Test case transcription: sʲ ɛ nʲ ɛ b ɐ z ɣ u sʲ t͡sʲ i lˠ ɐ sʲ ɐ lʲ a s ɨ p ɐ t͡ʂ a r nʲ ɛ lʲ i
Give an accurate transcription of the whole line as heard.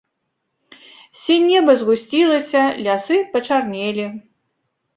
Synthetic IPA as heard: sʲ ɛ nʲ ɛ b ɐ z ɣ u sʲ t͡sʲ i lˠ ɐ sʲ ɐ lʲ a s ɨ p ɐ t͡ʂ a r nʲ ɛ lʲ i